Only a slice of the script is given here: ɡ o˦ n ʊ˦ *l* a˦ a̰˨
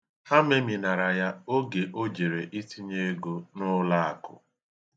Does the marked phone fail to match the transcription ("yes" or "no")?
no